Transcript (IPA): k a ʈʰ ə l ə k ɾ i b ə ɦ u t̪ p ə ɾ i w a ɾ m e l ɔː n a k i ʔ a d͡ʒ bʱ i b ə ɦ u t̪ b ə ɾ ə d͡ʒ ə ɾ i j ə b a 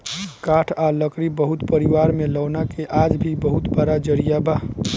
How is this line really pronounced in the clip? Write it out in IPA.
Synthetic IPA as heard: k a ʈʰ a l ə k ɾ i b ə ɦ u t̪ p ə ɾ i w a ɾ m e l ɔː n a k e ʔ a d͡ʒ bʱ i b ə ɦ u t̪ b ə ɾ a d͡ʒ ə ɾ i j a b a

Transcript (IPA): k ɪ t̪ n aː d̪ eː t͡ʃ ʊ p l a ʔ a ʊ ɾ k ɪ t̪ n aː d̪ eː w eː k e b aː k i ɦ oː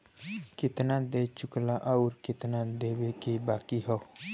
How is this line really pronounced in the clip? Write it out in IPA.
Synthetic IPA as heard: k ɪ t̪ n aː d̪ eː t͡ʃ ʊ k l a ʔ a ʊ ɾ k ɪ t̪ n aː d̪ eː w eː k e b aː k i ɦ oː

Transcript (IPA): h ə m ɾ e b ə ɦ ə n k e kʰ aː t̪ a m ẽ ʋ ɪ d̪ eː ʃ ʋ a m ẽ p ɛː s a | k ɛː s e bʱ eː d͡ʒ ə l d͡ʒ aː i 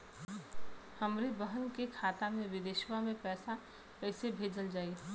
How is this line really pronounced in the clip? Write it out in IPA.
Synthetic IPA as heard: h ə m ɾ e b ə ɦ ə n k e kʰ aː t̪ a m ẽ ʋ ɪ d̪ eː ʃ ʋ a m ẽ p ɛː s a | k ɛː s e bʱ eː d͡ʒ ə l d͡ʒ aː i

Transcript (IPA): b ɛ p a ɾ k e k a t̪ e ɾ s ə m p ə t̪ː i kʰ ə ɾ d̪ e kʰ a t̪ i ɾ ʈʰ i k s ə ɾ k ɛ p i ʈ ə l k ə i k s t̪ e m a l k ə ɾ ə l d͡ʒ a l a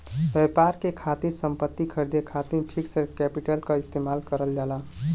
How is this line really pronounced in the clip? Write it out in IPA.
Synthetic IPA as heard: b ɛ p a ɾ k e kʰ a t̪ i ɾ s ə m p ə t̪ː i kʰ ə ɾ d̪ e kʰ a t̪ i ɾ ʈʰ i k s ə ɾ k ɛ p i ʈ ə l k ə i s t̪ e m a l k ə ɾ ə l d͡ʒ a l a

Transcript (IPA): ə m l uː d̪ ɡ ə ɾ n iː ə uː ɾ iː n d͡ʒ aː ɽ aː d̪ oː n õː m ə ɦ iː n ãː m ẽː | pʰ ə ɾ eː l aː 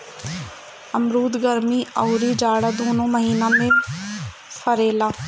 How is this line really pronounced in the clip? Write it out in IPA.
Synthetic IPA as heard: ə m ɾ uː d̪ ɡ ə ɾ m iː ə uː ɾ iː d͡ʒ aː ɽ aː d̪ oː n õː m ə ɦ iː n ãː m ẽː | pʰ ə ɾ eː l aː

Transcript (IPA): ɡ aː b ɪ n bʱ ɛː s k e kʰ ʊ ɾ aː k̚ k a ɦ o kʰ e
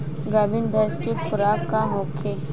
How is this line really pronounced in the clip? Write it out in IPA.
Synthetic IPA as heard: ɡ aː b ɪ n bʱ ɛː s k e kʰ ʊ ɾ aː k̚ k a ɦ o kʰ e

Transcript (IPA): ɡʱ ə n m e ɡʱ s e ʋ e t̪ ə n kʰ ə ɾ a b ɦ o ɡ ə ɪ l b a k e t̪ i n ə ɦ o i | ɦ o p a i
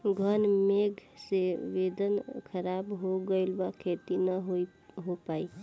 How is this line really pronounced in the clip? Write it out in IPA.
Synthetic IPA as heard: ɡʱ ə n m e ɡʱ s e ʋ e d̪ ə n kʰ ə ɾ a b ɦ o ɡ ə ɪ l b a kʰ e t̪ i n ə ɦ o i | ɦ o p a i

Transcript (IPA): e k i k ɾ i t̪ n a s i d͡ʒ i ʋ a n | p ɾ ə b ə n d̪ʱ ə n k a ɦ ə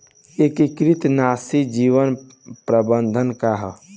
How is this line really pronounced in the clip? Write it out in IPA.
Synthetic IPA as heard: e k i k ɾ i t̪ n a s i d͡ʒ i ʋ ə n | p ɾ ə b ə n d̪ʱ ə n k a ɦ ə

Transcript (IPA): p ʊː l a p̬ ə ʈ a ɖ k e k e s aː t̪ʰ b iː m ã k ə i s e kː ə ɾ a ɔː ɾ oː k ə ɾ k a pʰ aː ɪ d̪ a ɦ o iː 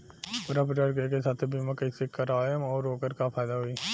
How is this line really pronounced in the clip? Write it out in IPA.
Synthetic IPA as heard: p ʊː ɾ a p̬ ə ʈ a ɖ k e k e s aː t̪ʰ b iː m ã k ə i s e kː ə ɾ a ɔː ɾ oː k ə ɾ k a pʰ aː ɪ d̪ a ɦ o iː

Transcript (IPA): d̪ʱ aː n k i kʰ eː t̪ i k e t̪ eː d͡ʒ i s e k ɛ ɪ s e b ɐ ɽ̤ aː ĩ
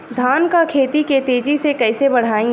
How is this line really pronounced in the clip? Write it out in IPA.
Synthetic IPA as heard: d̪ʱ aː n k a kʰ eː t̪ i k e t̪ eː d͡ʒ i s e k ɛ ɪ s e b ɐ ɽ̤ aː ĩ

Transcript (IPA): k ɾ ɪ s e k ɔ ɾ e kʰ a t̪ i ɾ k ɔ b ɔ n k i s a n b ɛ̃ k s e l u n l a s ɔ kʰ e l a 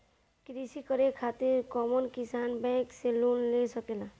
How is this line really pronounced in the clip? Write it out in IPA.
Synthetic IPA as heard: k ɾ i s i k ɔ ɾ e kʰ a t̪ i ɾ k ɔ m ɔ n k i s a n b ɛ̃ k s e l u n l e s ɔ k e l a

